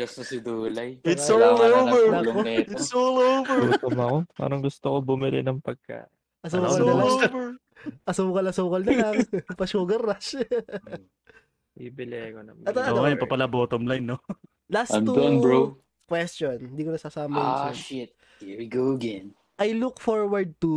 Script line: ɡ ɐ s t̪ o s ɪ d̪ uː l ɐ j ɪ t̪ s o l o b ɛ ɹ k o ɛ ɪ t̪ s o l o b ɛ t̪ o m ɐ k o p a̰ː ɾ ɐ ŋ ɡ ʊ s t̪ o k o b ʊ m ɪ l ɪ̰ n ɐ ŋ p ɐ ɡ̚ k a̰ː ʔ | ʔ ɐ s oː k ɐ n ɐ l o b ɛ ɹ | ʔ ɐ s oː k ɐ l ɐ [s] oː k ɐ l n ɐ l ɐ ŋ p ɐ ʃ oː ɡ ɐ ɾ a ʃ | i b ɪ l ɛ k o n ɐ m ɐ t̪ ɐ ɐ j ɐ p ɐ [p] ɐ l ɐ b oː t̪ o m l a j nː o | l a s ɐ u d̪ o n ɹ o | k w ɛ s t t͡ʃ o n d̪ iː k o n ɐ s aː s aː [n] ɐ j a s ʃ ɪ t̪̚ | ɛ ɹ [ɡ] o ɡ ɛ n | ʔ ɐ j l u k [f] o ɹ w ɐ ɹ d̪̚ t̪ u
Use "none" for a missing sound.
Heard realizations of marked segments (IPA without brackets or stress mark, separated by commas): s, p, m, ɡ, f